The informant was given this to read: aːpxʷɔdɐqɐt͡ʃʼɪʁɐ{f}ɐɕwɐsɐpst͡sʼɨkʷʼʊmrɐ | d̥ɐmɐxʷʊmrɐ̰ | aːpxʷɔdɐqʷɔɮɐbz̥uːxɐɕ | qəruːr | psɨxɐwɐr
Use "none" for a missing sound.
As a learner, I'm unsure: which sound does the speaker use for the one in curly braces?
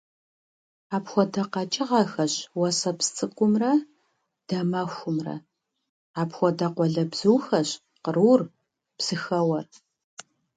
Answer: x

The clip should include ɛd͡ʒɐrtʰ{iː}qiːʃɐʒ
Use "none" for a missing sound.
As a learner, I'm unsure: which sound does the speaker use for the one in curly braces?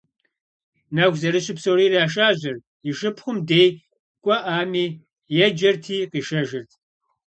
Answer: iː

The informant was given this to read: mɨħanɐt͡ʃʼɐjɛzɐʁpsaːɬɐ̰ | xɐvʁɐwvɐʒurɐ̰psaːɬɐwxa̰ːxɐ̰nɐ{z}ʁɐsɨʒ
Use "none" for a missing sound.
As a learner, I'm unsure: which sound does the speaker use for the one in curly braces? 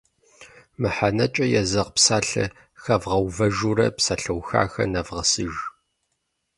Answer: v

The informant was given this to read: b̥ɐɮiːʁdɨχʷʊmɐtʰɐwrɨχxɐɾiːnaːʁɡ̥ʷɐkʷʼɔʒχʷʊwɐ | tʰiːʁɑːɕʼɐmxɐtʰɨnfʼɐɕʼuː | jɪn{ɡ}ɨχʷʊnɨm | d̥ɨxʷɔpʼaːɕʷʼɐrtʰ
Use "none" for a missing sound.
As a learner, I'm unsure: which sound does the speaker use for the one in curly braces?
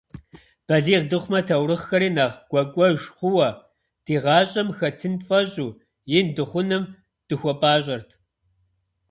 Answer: d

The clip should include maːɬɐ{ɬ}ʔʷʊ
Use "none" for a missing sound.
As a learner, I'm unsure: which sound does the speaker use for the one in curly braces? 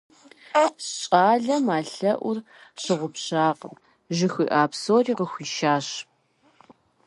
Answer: none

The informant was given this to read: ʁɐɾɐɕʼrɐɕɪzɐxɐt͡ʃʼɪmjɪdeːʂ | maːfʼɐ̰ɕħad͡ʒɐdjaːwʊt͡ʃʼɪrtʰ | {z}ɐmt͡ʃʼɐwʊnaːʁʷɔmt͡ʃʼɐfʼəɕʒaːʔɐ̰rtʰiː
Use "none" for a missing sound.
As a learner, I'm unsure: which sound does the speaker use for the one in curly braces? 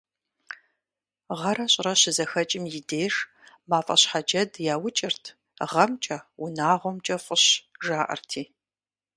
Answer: ʁ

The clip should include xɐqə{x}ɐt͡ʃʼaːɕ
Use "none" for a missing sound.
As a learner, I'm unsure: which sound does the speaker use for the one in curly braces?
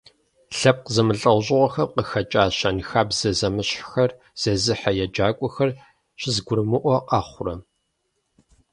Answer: x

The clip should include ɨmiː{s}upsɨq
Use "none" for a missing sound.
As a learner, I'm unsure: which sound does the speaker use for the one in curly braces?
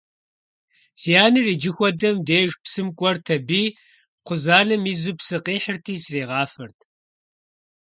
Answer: z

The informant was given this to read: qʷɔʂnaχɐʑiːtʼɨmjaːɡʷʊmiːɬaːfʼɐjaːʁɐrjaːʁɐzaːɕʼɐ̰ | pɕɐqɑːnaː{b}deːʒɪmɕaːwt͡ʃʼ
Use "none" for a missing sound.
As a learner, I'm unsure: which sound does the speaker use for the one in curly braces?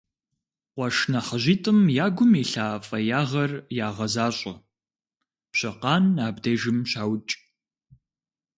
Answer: b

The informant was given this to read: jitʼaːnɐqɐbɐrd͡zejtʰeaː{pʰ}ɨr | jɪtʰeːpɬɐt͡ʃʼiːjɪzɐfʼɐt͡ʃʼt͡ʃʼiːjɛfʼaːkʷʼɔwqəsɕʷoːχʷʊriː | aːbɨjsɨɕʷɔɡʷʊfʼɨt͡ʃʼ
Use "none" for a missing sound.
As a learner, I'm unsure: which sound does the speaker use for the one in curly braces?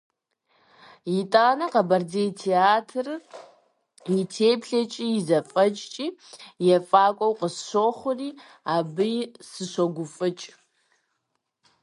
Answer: tʰ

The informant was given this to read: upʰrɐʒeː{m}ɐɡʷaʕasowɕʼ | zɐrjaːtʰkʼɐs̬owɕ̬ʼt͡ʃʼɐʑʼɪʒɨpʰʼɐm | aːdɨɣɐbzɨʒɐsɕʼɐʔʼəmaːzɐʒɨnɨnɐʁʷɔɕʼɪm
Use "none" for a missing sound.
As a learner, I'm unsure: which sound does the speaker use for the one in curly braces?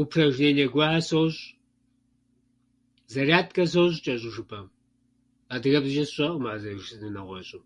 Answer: n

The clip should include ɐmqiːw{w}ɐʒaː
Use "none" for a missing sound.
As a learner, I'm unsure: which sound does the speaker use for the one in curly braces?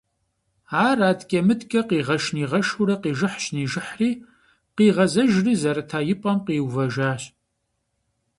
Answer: v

